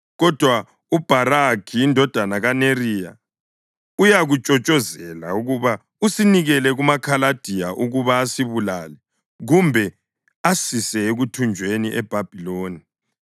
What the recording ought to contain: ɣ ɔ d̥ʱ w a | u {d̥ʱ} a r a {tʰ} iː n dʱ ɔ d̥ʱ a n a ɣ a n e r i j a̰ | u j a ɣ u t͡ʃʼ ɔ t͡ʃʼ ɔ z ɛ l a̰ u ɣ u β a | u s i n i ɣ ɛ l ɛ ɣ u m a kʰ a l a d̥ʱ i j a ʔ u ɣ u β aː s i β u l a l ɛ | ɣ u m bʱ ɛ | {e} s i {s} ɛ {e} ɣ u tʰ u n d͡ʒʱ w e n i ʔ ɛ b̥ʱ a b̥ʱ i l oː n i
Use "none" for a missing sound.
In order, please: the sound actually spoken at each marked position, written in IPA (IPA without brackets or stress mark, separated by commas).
b̥ʱ, kʰ, a, s, e